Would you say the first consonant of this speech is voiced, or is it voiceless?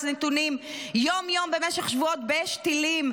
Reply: voiced